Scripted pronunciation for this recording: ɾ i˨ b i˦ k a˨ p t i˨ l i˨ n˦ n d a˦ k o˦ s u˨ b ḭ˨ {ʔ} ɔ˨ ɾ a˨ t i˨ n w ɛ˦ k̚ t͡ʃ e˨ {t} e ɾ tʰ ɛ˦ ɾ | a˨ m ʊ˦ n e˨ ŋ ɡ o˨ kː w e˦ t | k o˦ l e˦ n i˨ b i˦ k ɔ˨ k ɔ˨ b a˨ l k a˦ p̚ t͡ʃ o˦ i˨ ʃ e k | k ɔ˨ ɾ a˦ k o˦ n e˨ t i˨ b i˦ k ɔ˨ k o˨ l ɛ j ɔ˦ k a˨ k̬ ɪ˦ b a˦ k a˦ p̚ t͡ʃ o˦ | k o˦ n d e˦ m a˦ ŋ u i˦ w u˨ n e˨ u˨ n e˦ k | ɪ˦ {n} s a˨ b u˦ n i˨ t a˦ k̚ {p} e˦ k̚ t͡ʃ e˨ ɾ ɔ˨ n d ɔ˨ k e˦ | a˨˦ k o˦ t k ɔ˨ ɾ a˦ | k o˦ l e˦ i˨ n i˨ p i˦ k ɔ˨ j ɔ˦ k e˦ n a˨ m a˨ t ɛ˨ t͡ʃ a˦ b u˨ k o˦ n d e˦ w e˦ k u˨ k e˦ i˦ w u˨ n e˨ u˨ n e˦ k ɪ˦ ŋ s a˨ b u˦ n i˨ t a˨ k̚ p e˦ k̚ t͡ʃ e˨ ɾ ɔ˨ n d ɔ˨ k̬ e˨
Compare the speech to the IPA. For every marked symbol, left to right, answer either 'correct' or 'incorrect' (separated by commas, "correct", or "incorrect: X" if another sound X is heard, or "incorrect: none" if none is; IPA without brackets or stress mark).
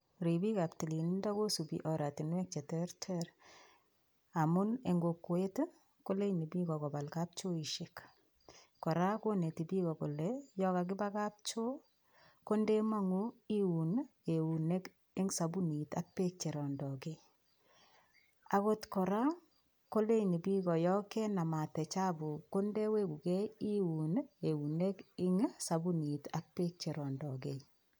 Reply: correct, correct, incorrect: ŋ, correct